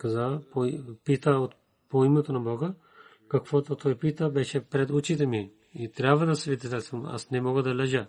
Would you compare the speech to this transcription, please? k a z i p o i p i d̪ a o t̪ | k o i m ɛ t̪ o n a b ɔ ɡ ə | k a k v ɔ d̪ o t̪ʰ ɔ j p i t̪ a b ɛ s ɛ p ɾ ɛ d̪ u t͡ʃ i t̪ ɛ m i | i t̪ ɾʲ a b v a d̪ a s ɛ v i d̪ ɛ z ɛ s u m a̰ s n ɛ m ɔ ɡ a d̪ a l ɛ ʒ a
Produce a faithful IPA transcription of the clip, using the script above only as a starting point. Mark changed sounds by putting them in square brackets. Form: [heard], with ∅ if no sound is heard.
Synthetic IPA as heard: k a z [a] p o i p i [t̪] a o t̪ | [p] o i m ɛ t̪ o n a b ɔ ɡ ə | k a k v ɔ [t̪] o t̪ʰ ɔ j p i t̪ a b ɛ [ʃ] ɛ p ɾ ɛ d̪ u t͡ʃ i t̪ ɛ m i | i t̪ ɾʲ a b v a d̪ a s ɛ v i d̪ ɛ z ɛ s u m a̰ s n ɛ m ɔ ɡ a d̪ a l ɛ ʒ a